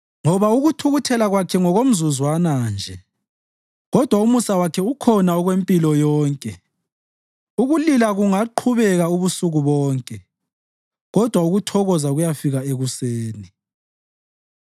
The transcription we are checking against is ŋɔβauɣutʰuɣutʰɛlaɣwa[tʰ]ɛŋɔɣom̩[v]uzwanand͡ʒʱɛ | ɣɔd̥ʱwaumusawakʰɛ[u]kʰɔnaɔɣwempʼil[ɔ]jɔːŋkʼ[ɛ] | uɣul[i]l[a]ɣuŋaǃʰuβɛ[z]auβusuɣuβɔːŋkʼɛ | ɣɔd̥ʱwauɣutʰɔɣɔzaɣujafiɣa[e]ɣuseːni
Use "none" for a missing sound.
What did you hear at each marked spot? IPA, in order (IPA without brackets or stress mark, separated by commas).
kʰ, z, u, ɔ, ɛ, i, a, ɣ, e